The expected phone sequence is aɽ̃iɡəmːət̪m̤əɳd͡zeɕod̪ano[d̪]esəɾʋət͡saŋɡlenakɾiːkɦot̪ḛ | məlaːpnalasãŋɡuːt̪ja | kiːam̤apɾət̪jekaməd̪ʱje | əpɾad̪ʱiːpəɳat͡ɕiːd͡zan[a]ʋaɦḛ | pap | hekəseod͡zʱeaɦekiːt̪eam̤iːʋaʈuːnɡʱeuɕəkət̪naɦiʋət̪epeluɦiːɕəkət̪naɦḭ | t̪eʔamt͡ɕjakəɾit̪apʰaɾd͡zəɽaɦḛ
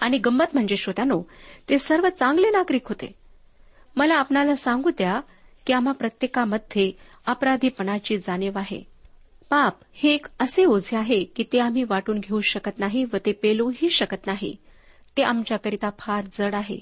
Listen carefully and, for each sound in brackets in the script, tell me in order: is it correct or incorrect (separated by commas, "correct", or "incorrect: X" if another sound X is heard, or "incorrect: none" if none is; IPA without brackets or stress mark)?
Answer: incorrect: t̪, incorrect: e